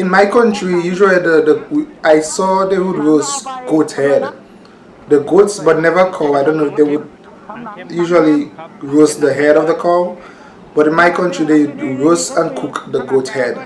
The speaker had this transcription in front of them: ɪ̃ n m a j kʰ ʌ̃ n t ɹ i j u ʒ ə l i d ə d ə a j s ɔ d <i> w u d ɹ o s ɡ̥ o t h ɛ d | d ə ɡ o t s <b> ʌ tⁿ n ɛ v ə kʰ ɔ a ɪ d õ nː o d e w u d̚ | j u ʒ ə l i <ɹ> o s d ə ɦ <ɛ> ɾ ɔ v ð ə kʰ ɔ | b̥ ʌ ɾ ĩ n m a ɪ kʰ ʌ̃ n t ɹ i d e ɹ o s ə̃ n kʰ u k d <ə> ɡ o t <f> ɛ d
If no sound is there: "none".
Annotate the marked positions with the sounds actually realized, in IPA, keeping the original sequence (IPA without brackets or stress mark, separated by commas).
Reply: e, b, ɹ, ɛ, ə, h